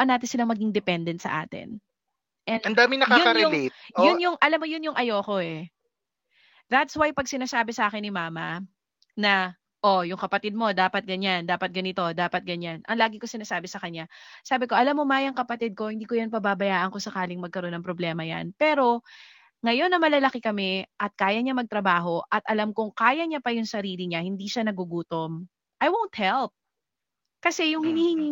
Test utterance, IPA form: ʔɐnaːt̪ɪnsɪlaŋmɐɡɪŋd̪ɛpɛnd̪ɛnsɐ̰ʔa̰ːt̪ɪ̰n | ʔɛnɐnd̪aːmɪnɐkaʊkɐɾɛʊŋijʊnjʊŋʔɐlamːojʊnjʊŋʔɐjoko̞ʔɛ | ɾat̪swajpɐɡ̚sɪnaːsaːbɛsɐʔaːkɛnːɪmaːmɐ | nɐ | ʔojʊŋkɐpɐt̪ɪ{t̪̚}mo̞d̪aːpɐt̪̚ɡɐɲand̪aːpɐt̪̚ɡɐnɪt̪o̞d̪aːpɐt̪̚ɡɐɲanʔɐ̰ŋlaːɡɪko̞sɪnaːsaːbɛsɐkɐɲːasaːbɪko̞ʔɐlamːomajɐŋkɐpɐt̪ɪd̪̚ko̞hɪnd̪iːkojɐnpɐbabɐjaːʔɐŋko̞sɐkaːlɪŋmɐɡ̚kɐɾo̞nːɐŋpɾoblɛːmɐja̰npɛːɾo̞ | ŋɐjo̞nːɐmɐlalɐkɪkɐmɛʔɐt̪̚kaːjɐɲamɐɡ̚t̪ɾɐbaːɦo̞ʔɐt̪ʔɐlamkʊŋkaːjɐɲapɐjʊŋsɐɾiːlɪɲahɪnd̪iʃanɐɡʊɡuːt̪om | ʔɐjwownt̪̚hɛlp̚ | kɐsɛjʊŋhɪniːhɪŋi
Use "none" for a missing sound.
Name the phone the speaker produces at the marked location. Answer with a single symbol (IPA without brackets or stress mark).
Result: d̪̚